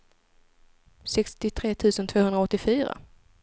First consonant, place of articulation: alveolar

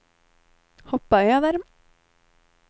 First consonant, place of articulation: glottal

